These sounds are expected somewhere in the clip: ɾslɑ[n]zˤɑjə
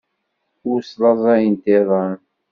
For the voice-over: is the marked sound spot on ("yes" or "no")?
no